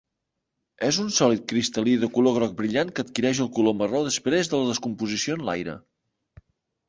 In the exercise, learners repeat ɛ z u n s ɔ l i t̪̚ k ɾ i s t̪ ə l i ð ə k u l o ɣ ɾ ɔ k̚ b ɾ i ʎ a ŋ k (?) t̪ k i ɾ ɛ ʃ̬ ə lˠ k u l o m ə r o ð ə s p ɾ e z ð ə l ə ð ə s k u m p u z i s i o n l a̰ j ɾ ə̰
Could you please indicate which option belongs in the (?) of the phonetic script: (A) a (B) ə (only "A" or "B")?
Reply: B